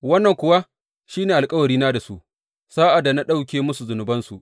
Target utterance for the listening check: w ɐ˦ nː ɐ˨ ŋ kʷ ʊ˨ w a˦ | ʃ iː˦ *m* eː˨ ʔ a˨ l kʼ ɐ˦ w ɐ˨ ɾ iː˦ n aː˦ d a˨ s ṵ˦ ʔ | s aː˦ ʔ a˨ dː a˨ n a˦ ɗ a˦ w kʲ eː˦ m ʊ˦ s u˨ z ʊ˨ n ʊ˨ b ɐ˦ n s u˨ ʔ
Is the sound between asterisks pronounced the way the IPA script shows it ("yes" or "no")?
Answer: no